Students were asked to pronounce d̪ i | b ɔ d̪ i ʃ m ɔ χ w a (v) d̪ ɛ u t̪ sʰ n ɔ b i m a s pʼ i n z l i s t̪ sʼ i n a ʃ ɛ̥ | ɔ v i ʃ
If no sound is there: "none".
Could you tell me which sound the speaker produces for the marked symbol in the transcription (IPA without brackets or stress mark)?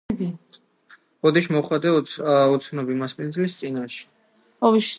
none